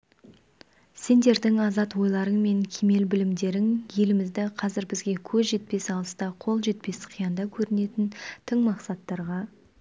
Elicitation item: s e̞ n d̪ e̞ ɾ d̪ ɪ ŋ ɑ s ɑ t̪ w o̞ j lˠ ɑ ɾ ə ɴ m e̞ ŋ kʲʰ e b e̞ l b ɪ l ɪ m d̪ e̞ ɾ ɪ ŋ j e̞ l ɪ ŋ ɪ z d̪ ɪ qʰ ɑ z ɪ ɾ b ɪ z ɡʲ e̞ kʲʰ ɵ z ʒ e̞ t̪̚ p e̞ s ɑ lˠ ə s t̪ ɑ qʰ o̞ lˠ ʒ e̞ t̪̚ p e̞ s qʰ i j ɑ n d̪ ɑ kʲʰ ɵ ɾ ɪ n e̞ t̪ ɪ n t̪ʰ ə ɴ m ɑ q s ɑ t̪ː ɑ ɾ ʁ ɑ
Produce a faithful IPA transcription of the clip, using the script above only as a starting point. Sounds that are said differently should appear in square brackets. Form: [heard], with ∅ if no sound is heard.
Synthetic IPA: s e̞ n d̪ e̞ ɾ d̪ ɪ ŋ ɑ [z] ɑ t̪ w o̞ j lˠ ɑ ɾ ə ɴ m e̞ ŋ kʲʰ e [m] e̞ l b ɪ l ɪ m d̪ e̞ ɾ ɪ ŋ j e̞ l ɪ [m] ɪ z d̪ ɪ qʰ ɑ z ɪ ɾ b ɪ z ɡʲ e̞ kʲʰ ɵ z ʒ e̞ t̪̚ p e̞ s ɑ lˠ ə s t̪ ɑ qʰ o̞ lˠ ʒ e̞ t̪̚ p e̞ s qʰ i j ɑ n d̪ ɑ kʲʰ ɵ ɾ ɪ n e̞ t̪ ɪ n t̪ʰ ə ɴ m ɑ q s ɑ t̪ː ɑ ɾ ʁ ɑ